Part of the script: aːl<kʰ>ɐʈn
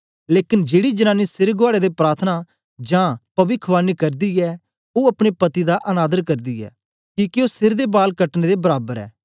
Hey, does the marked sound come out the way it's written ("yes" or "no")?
no